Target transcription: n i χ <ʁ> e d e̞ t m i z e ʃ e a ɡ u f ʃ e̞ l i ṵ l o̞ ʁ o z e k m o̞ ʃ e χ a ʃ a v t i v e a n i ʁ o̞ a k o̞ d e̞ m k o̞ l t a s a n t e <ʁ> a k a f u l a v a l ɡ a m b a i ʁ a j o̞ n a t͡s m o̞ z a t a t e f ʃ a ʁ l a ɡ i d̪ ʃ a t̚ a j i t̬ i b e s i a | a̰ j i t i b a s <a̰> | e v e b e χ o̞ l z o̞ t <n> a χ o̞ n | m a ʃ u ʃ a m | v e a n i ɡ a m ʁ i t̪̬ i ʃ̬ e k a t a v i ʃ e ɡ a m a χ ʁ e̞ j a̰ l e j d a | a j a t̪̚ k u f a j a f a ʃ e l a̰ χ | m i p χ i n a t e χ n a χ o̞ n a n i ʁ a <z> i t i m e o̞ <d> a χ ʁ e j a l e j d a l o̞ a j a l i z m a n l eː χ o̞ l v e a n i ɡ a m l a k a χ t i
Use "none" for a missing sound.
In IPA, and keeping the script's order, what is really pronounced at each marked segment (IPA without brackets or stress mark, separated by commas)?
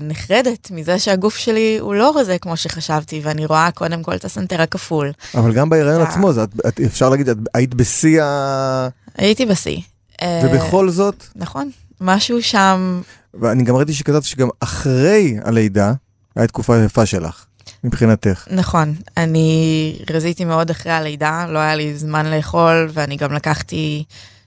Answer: ʁ, ʁ, ḭ, n, z, d